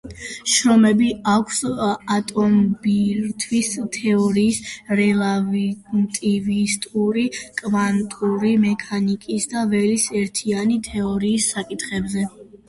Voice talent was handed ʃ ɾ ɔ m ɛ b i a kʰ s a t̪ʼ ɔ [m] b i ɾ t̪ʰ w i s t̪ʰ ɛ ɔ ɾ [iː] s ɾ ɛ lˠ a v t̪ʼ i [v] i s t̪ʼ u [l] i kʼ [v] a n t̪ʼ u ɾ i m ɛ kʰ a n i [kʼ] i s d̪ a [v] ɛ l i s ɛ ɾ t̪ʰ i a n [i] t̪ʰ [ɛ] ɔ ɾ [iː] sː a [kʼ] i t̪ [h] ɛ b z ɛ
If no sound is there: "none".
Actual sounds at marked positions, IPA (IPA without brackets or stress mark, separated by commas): m, iː, v, ɾ, v, kʼ, v, i, ɛ, iː, kʼ, χ